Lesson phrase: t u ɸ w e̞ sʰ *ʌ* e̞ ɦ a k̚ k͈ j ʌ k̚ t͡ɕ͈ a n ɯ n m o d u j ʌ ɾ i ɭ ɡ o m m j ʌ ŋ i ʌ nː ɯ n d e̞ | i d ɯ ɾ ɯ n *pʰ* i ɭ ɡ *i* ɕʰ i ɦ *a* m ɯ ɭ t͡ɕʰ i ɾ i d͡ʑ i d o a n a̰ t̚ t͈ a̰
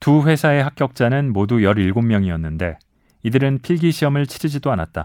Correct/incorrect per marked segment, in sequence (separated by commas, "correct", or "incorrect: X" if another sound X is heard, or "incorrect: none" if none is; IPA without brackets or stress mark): incorrect: a, correct, correct, incorrect: ʌ